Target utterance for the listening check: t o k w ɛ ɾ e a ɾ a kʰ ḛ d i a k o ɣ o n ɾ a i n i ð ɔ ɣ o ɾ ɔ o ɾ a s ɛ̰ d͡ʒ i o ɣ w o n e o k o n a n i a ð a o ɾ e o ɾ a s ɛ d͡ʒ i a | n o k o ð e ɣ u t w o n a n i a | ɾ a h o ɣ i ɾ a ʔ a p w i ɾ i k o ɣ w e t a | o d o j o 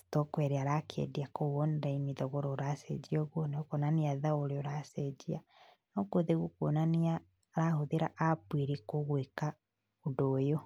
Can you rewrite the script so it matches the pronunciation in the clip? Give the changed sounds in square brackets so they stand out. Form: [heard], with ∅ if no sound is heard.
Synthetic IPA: t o k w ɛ ɾ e a ɾ a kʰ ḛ d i a k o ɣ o n ɾ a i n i ð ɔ ɣ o ɾ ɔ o ɾ a s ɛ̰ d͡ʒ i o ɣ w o n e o k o n a n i a ð a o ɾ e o ɾ a s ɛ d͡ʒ i a | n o k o ð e ɣ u [k] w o n a n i a | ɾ a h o [ð] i ɾ a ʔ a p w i ɾ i k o ɣ w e [k] a | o d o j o